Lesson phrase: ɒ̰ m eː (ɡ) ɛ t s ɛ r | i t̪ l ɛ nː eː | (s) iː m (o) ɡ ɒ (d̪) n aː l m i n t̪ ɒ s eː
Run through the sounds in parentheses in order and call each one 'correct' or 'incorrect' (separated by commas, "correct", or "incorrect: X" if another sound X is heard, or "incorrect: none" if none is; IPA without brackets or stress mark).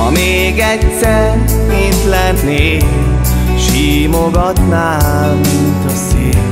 correct, incorrect: ʃ, correct, incorrect: t̪